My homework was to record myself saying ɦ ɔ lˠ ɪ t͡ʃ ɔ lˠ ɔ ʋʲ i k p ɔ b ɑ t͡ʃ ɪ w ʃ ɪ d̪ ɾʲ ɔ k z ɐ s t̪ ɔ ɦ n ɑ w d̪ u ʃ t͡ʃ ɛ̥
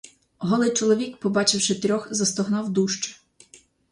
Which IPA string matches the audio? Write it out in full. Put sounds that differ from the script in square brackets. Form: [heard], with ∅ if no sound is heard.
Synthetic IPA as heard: ɦ ɔ lˠ ɪ t͡ʃ ɔ lˠ ɔ ʋʲ i k p ɔ b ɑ t͡ʃ ɪ w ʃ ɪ [t̪] ɾʲ ɔ [x] z ɐ s t̪ ɔ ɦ n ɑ w d̪ u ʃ t͡ʃ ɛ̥